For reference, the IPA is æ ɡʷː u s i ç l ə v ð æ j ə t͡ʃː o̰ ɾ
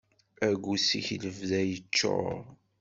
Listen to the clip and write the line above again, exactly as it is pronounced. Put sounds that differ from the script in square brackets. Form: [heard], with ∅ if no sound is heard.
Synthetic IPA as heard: æ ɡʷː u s i ç l ə v ð æ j ə t͡ʃː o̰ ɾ